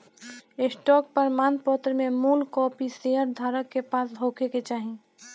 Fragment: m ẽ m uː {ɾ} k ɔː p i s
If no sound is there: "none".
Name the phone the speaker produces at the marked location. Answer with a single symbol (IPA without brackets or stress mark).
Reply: l